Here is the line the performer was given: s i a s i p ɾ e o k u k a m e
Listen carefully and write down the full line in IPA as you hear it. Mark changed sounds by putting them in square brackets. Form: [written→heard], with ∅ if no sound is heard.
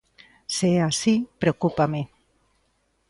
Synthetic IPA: s [i→e] a s i p ɾ e o k u [k→p] a m e